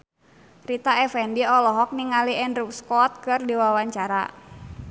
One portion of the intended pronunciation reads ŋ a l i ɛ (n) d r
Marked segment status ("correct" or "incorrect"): correct